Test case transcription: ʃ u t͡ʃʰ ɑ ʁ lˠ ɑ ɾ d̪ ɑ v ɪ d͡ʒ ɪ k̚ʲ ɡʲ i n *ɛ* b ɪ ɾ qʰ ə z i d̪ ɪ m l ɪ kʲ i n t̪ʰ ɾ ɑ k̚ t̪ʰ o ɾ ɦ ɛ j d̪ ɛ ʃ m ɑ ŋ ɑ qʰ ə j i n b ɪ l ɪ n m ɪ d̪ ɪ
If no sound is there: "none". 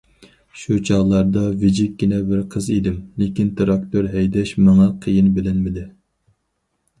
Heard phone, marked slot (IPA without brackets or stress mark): ɛ